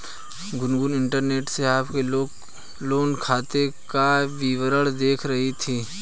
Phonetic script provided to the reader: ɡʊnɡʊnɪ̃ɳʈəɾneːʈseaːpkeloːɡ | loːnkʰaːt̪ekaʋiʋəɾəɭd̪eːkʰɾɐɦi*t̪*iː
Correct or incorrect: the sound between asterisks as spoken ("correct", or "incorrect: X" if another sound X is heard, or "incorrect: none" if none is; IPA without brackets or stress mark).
incorrect: t̪ʰ